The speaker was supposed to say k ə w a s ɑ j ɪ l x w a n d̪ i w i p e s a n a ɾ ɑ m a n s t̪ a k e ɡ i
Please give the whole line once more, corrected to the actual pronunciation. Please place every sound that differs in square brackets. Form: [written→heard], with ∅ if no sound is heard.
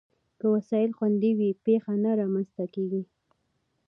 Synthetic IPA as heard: k ə w a s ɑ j ɪ l x w a n d̪ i w i p e [s→x] a n a ɾ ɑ m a n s t̪ a k e ɡ i